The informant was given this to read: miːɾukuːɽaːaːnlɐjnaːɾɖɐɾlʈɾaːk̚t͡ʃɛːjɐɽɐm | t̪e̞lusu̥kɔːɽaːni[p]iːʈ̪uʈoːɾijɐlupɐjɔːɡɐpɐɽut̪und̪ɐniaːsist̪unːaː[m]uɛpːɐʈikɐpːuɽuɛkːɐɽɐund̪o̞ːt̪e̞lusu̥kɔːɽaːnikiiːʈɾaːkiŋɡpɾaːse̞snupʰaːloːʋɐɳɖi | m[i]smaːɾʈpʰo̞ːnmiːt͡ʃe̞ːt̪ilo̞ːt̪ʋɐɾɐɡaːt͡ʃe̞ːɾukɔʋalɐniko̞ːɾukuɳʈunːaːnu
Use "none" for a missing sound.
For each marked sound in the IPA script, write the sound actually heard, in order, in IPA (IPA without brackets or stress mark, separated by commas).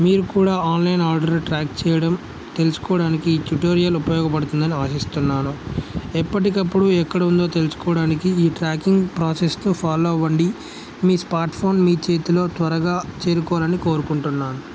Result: k, n, iː